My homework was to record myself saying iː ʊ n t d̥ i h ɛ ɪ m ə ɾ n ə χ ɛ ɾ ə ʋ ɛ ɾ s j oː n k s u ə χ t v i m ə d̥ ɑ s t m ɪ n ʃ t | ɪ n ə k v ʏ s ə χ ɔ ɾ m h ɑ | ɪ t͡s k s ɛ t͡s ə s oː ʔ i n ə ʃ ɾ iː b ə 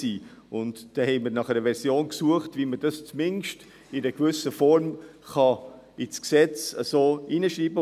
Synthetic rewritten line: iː ʊ n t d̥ ɛ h ɛ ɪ m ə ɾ n ɑ χ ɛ ɾ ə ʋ ɛ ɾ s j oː n k s u ə χ t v i m ə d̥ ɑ s t͡s m ɪ n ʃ t | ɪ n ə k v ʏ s ə f ɔ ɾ m χ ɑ | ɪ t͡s k s ɛ t͡s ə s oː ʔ i n ə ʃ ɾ iː b ə